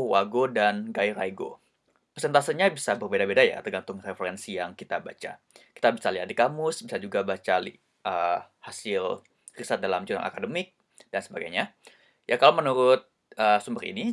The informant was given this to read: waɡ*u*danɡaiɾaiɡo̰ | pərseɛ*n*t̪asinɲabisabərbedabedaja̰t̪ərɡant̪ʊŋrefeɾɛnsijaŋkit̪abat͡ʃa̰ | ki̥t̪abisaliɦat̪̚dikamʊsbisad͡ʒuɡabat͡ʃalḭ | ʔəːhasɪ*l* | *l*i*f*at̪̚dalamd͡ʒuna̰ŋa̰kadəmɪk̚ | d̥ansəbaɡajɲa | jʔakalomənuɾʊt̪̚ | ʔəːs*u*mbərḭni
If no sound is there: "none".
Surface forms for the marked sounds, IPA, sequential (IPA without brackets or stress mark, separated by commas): o, n, l, r, s, u